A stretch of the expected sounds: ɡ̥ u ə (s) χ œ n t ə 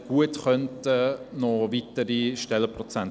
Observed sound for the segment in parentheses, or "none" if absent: t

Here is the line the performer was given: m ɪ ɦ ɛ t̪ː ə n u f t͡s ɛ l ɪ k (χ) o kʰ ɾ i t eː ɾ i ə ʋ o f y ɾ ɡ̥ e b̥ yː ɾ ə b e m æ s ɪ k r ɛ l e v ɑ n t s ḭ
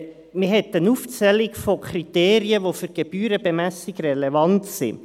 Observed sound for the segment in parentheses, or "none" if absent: f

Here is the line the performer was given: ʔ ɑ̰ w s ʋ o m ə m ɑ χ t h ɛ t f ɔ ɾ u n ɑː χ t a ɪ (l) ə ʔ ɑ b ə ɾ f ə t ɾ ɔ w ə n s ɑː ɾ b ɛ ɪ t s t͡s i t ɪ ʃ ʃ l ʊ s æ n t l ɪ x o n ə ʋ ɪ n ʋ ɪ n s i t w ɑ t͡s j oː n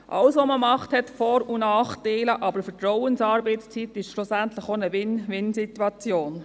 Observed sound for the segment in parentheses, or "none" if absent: l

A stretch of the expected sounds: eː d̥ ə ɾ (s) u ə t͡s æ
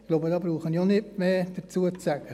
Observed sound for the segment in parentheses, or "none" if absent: t͡s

